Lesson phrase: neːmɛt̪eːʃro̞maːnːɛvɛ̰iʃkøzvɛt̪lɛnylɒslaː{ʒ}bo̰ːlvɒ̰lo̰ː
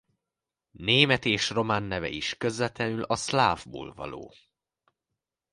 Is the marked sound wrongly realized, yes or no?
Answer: yes